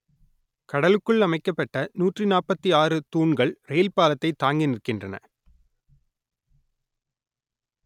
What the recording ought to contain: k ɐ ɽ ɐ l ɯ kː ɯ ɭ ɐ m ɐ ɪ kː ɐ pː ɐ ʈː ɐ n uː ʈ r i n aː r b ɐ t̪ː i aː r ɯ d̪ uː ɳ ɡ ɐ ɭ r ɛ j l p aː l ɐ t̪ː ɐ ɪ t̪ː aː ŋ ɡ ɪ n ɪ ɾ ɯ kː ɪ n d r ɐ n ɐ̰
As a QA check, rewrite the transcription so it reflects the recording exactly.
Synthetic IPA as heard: k ɐ ɽ ɐ l ɯ kː ɯ ɭ ɐ m ɐ ɪ kː ɐ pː ɐ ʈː ɐ n uː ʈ r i n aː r p ɐ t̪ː i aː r ɯ t̪ uː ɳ ɡ ɐ ɭ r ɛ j l p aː l ɐ t̪ː ɐ ɪ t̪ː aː ŋ ɡ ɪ n ɪ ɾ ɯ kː ɪ n d r ɐ n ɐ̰